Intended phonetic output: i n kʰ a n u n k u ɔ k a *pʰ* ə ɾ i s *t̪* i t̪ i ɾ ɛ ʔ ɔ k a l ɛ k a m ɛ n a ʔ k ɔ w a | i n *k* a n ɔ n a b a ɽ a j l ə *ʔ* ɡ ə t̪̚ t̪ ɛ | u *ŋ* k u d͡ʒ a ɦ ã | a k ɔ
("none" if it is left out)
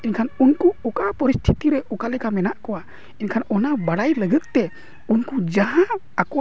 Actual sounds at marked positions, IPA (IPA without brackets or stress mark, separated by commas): p, t̪ʰ, kʰ, none, n